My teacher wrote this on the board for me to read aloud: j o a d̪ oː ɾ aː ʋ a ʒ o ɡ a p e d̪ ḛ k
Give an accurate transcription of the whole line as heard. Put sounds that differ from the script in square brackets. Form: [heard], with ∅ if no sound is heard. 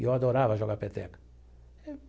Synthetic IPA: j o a d̪ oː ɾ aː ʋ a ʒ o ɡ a p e [t̪] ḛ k